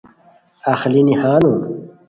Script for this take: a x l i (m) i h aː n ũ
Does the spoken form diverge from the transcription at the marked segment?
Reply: yes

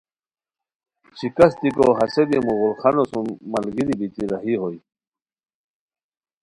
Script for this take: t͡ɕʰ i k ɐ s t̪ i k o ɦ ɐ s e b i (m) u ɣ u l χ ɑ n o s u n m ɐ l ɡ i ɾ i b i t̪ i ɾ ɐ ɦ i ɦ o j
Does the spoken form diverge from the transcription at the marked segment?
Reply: no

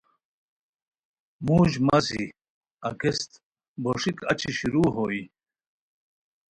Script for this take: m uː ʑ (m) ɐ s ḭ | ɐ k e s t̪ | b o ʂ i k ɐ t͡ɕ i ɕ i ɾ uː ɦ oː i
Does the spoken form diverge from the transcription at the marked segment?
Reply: no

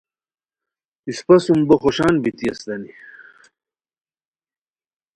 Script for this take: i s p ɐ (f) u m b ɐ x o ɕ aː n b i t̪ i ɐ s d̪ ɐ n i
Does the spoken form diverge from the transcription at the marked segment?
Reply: yes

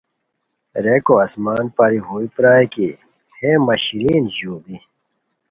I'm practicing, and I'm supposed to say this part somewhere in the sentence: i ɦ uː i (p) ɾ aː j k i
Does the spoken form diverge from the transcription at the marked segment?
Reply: no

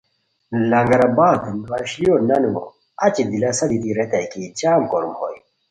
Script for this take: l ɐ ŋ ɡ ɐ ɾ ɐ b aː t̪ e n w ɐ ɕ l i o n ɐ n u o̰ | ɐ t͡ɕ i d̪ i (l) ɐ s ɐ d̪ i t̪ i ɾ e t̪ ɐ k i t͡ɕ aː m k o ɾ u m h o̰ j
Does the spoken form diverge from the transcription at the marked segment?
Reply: no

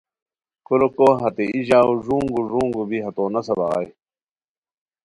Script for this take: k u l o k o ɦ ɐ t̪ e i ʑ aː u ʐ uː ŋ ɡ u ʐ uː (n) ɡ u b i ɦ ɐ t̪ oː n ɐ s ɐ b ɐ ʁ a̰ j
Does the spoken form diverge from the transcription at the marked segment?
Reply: yes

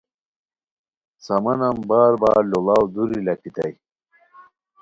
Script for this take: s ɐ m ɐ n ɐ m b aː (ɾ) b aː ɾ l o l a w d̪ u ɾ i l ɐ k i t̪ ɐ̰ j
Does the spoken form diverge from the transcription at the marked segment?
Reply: no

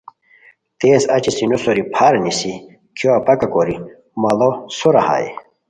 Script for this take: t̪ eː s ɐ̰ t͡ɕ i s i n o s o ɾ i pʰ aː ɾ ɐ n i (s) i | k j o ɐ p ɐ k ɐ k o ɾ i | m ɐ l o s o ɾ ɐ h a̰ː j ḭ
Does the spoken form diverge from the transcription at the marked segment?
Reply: no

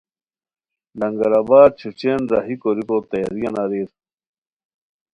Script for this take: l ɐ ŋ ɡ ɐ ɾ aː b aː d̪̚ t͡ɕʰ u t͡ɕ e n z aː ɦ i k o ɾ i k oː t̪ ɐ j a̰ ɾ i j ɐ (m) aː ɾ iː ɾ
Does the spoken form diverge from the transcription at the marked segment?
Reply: yes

